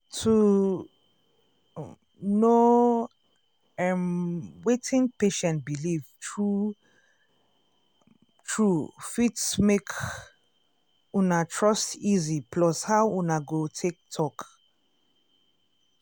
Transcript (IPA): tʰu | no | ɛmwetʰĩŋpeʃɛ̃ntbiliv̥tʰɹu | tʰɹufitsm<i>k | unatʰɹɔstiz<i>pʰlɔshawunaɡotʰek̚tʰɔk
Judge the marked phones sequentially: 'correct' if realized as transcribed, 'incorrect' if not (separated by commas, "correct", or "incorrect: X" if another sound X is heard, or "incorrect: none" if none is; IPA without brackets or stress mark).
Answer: incorrect: e, correct